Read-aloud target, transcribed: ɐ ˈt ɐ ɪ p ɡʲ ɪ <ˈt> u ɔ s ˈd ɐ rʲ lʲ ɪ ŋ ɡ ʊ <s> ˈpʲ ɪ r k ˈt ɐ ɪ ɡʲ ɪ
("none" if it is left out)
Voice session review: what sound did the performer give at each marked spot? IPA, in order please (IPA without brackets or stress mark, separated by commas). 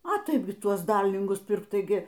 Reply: t, s